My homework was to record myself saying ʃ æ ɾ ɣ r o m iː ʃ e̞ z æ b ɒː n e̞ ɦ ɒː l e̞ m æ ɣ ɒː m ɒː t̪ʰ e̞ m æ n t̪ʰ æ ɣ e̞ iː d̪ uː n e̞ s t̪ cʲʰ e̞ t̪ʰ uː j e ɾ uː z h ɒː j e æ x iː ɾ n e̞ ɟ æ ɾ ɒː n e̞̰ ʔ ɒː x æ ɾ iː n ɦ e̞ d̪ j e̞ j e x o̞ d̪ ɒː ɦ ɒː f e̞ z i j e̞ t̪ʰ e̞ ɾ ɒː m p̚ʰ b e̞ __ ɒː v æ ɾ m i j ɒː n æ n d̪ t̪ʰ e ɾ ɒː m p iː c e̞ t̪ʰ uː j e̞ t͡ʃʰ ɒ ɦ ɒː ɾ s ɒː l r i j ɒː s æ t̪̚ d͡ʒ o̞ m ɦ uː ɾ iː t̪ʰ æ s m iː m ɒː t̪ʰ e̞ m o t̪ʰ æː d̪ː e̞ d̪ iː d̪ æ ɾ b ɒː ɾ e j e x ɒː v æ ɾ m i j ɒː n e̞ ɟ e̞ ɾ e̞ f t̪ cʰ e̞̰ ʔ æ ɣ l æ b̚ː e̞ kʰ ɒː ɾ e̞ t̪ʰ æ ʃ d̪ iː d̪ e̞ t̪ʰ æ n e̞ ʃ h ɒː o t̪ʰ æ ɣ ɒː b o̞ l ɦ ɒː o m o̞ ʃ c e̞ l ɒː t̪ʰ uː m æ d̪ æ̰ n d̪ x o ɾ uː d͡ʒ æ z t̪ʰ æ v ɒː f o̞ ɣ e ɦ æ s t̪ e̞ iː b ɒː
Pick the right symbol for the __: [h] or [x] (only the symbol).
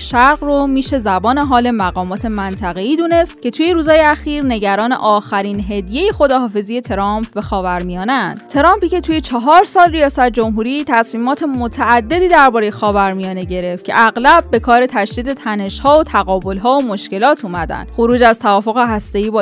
x